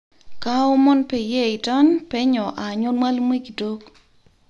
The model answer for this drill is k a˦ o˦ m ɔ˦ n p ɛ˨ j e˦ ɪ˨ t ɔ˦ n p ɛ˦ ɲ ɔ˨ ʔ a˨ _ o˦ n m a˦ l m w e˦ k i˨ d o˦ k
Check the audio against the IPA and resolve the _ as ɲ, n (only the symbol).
ɲ